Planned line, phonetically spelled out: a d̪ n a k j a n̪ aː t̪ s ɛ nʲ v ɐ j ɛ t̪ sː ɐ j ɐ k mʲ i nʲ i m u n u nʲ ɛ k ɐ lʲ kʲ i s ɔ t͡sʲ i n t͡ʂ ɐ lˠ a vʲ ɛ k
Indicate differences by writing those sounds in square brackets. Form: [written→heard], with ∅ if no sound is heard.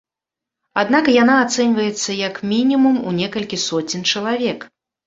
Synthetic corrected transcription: a d̪ n a k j a n̪ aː t̪ s ɛ nʲ v ɐ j ɛ t̪ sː ɐ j ɐ k mʲ i nʲ i m u [n→m] u nʲ ɛ k ɐ lʲ kʲ i s ɔ t͡sʲ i n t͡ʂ ɐ lˠ a vʲ ɛ k